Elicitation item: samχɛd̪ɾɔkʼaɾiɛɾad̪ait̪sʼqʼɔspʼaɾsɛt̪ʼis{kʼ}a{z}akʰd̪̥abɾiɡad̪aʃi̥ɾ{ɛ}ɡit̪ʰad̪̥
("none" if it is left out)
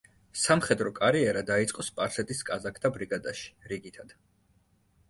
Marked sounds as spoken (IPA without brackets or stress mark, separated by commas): kʼ, z, i